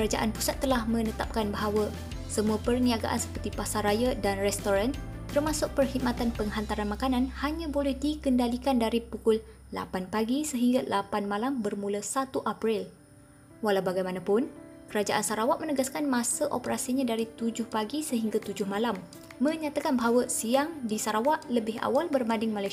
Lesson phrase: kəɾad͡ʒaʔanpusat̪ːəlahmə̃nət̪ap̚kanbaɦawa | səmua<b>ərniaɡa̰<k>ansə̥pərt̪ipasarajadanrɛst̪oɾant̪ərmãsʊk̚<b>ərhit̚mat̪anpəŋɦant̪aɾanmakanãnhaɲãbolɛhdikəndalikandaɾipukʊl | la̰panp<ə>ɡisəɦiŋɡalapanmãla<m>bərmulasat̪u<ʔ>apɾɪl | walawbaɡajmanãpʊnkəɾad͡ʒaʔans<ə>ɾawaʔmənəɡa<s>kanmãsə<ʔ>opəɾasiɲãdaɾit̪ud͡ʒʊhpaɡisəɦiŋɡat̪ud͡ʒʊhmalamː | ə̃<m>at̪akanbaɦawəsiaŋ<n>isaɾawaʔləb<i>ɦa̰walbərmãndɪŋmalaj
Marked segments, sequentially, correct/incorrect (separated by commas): incorrect, incorrect, incorrect, incorrect, correct, correct, incorrect, correct, correct, incorrect, incorrect, incorrect